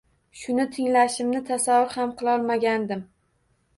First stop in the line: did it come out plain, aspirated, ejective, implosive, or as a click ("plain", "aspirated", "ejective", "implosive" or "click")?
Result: aspirated